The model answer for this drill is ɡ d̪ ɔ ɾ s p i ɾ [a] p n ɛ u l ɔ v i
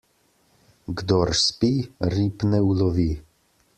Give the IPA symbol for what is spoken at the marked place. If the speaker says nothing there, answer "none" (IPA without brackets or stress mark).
i